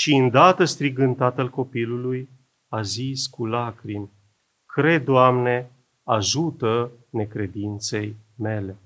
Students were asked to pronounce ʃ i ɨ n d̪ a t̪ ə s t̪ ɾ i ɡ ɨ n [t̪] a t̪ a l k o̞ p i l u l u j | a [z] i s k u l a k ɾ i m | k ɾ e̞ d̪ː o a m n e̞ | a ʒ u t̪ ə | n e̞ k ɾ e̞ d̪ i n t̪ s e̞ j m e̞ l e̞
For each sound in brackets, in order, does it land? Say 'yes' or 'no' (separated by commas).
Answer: yes, yes